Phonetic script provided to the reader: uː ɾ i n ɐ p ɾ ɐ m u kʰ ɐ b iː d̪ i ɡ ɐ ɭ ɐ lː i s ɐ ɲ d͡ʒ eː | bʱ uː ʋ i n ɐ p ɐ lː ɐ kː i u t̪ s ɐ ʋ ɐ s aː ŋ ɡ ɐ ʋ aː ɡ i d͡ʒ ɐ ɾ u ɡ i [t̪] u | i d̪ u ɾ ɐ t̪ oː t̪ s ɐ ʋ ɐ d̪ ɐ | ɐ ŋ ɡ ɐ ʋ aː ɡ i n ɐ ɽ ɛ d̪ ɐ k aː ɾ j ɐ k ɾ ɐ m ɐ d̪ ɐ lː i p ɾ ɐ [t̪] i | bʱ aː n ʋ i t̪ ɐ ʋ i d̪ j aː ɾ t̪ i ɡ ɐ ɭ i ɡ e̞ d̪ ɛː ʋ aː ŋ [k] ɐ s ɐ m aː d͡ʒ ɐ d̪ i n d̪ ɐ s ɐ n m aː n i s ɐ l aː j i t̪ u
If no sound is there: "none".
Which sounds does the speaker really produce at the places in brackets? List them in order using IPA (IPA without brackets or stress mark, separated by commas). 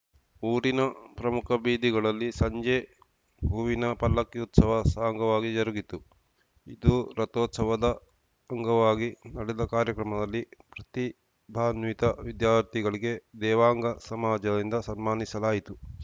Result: t̪, t̪, ɡ